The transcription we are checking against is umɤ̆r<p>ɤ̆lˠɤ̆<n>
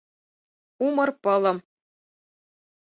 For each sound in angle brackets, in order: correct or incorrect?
correct, incorrect: m

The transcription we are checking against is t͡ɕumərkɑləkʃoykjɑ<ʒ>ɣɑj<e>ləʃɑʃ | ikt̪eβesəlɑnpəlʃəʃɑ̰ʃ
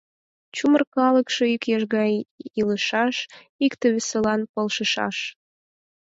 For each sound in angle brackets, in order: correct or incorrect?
correct, incorrect: i

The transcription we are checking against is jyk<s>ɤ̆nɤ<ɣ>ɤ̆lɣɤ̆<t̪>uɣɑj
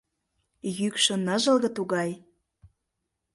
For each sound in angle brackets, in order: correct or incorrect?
incorrect: ʃ, incorrect: ʒ, correct

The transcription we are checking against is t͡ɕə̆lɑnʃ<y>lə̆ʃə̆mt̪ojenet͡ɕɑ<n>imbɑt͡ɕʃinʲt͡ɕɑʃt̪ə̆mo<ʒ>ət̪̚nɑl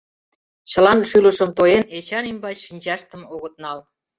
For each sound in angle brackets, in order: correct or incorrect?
correct, correct, incorrect: ɣ

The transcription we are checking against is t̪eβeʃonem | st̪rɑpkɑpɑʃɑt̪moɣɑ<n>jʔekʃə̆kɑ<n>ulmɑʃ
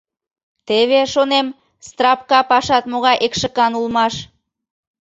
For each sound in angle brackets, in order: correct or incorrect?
incorrect: none, correct

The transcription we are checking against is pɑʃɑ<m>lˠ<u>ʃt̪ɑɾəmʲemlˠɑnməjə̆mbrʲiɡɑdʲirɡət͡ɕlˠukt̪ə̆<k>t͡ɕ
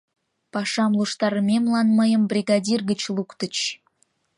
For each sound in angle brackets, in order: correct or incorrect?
correct, correct, incorrect: none

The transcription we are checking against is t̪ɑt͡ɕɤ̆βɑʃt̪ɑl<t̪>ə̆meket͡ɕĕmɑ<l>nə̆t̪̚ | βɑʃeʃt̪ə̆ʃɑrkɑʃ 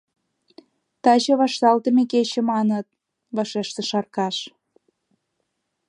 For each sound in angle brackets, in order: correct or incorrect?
correct, incorrect: none

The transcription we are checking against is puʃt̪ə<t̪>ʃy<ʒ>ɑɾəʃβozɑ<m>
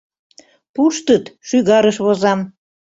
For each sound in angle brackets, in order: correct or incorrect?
correct, incorrect: ɣ, correct

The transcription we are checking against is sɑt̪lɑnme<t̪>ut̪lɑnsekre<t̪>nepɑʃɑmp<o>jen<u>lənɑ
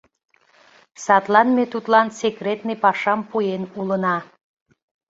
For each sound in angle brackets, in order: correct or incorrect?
correct, correct, incorrect: u, correct

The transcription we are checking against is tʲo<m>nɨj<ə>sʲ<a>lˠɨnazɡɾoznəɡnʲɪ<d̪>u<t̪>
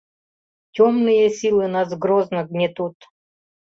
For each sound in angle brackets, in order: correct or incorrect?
correct, correct, incorrect: i, incorrect: t̪, correct

